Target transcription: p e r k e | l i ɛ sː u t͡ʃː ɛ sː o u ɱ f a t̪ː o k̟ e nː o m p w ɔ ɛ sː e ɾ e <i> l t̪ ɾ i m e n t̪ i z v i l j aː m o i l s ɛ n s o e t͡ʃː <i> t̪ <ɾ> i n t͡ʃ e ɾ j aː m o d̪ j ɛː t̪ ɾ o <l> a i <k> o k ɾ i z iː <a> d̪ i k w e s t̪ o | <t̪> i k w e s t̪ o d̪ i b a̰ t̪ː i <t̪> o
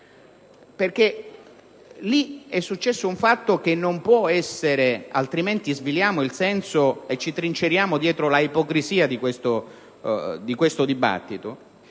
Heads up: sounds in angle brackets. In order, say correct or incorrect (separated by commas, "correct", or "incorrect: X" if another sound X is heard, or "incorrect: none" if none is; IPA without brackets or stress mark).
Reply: incorrect: a, correct, correct, correct, incorrect: p, correct, incorrect: d̪, correct